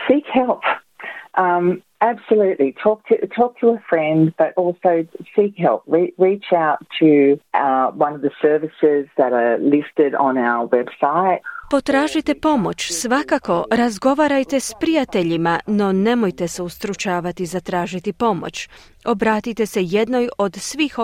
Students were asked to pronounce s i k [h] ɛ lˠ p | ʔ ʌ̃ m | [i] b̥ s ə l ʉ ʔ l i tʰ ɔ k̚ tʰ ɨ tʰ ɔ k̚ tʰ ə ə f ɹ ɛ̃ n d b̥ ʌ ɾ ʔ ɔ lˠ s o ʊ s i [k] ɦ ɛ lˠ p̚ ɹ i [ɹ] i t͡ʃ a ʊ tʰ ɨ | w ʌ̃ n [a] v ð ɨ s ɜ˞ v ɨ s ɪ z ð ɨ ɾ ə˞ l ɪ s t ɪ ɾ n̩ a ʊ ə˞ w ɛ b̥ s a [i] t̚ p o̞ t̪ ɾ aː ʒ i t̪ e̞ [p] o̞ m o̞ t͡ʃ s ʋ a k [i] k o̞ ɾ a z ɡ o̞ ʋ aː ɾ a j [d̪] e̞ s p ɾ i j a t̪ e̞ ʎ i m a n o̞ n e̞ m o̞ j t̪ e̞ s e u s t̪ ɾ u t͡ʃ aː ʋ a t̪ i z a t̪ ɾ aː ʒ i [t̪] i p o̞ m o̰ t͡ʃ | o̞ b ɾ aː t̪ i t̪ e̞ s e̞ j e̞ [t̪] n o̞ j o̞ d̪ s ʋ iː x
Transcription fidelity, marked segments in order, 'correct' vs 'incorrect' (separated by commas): correct, incorrect, correct, correct, incorrect, incorrect, correct, incorrect, incorrect, correct, incorrect